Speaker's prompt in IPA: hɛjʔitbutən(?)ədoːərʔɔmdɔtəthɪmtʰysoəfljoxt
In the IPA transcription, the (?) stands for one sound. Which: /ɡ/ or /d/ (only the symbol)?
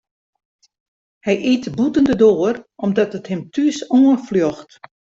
d